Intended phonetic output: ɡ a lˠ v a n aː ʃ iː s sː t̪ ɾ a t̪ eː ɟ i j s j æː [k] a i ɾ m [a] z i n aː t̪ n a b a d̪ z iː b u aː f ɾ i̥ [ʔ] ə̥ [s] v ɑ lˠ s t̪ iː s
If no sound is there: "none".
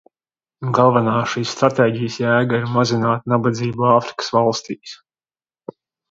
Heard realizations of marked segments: ɡ, a, k, s

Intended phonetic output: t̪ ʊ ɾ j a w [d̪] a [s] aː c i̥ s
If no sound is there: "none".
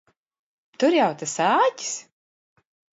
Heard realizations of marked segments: t̪, s

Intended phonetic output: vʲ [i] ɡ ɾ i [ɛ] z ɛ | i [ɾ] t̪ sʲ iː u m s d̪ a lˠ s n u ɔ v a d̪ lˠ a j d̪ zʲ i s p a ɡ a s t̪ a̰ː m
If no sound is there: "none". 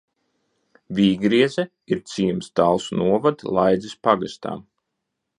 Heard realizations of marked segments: iː, ɛ, ɾ

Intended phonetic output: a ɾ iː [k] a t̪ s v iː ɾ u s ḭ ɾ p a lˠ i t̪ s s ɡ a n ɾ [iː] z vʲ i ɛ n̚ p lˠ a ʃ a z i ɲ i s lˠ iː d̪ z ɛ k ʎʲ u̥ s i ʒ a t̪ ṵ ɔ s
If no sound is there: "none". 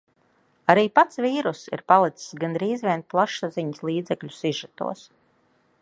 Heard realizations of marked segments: p, iː

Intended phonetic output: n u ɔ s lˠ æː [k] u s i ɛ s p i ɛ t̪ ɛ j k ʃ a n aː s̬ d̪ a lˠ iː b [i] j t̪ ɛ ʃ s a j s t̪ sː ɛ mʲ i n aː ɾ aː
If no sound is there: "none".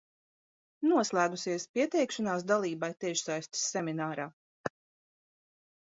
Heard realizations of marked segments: ɡ, a

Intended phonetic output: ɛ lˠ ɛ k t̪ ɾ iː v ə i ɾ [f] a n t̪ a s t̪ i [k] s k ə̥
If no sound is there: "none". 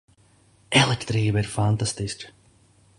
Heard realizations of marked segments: f, none

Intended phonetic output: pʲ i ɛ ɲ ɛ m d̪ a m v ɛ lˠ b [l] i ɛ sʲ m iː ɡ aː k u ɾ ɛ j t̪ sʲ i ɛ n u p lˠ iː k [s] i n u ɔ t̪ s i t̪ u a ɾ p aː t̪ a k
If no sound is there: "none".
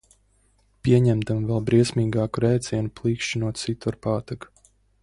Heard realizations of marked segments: ɾ, ʃ

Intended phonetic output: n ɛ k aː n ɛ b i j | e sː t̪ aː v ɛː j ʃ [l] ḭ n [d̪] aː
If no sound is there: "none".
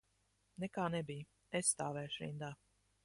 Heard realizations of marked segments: ɾ, d̪

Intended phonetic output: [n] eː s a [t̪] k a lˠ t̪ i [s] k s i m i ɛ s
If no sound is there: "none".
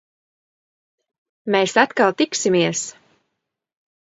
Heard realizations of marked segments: m, t̪, none

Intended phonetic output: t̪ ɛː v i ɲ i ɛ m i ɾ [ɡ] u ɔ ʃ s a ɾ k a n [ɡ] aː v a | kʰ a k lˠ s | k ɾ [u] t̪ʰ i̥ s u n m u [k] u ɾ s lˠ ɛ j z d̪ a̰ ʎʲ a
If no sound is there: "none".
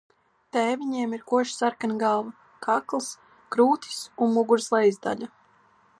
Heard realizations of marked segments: k, ɡ, uː, ɡ

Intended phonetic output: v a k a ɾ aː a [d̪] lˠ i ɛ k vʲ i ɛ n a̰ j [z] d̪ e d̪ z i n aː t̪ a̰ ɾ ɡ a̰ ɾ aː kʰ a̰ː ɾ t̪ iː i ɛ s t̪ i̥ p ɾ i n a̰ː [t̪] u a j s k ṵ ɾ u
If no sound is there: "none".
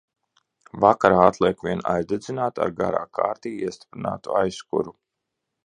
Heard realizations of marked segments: t̪, z, t̪

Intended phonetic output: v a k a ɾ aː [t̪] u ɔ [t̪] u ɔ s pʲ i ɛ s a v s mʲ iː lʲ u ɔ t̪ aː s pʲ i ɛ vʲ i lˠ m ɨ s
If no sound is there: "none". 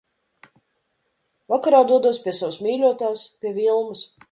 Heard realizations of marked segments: d̪, d̪

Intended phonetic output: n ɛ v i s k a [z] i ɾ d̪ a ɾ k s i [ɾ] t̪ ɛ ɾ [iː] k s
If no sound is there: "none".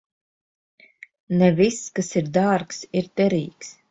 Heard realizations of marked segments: s, ɾ, iː

